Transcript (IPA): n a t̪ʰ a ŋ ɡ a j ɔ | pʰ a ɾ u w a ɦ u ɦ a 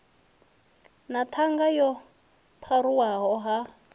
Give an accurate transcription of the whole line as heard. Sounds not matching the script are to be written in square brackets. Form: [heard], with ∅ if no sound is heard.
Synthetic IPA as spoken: n a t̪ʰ a ŋ ɡ a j ɔ | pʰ a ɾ u w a ɦ [ɔ] ɦ a